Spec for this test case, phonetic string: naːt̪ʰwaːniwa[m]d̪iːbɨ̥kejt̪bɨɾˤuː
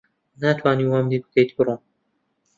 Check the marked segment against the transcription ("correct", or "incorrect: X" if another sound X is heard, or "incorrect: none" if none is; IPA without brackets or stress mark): correct